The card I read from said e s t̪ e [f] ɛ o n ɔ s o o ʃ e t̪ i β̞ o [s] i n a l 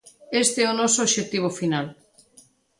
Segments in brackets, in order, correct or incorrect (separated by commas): incorrect, incorrect